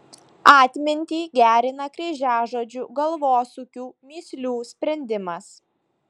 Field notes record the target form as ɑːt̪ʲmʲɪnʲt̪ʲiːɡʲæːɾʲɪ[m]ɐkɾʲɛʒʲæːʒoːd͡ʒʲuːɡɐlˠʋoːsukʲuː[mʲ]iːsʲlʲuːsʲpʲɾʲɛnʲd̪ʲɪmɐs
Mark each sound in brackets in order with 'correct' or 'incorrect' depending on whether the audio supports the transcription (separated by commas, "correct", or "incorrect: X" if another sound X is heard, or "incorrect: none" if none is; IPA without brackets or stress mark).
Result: incorrect: n, correct